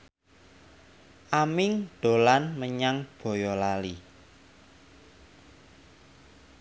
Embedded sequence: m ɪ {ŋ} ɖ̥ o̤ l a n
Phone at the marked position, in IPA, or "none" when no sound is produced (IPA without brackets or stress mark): ŋ